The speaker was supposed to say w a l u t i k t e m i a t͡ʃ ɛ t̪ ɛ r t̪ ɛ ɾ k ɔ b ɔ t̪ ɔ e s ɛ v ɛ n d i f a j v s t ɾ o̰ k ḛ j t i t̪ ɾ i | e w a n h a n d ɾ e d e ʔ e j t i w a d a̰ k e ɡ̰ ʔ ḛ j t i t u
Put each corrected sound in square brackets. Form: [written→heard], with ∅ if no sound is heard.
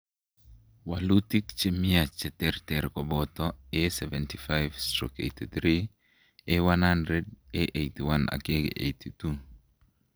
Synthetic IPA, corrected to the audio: w a l u t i k [t→t͡ʃ] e m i a t͡ʃ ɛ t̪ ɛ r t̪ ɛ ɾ k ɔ b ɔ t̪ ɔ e s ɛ v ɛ n [d→t] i f a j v s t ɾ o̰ k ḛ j t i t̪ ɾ i | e w a n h a n d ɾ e d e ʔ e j t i w a [d→n] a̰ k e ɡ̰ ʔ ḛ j t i t u